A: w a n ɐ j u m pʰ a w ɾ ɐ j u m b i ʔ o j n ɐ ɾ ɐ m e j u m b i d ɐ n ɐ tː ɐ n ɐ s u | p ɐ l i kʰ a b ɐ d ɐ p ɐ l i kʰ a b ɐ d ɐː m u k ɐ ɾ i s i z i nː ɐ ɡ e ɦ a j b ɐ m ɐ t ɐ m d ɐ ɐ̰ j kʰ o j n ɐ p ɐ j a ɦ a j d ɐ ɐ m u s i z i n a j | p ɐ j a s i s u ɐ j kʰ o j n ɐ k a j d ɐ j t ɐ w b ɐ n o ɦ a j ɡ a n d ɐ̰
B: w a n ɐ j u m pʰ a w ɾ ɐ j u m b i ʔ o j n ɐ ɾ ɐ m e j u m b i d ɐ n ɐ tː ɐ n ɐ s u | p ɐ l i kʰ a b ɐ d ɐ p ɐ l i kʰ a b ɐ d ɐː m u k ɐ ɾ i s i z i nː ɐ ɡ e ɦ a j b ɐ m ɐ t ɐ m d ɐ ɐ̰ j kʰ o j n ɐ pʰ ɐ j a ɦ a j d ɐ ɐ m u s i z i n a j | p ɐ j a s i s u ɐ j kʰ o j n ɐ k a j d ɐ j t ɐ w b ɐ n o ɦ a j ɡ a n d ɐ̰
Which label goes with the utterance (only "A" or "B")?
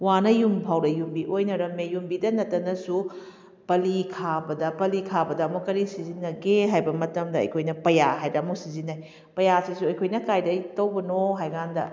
A